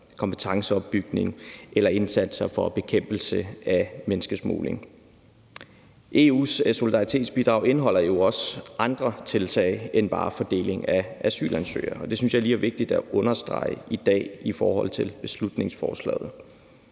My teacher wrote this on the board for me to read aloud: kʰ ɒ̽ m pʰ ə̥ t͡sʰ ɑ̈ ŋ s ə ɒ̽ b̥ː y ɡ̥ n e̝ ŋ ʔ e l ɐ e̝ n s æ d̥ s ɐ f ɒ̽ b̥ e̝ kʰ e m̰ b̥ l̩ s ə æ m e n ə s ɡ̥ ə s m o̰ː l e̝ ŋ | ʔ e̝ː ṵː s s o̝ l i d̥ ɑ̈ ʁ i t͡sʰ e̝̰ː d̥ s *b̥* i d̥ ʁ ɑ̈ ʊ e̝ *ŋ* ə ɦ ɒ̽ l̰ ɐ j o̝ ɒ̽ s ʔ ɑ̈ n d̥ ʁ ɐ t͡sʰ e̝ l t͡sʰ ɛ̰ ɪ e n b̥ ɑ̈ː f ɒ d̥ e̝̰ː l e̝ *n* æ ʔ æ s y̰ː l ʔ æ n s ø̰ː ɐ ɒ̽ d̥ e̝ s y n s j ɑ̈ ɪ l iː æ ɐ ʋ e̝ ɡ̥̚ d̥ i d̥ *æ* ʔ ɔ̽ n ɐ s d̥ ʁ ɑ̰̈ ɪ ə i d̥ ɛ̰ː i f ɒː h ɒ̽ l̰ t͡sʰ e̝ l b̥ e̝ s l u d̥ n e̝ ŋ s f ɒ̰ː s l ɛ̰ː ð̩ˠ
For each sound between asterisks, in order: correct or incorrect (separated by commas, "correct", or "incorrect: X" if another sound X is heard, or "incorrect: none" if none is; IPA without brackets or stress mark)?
correct, incorrect: n, incorrect: ŋ, correct